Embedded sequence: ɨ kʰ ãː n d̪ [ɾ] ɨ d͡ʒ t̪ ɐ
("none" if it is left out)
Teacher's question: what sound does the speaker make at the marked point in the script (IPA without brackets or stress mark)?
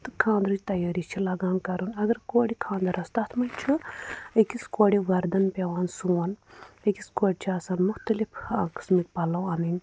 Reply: ɾ